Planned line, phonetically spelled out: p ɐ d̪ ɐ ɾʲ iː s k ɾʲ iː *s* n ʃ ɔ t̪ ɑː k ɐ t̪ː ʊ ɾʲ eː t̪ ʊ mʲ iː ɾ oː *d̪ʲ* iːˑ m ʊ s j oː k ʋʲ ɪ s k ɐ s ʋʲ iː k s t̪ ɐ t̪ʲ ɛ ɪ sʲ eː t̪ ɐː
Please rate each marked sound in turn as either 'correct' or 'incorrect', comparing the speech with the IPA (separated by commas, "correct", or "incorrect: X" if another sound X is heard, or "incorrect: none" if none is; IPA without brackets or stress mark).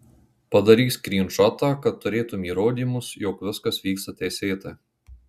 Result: incorrect: none, correct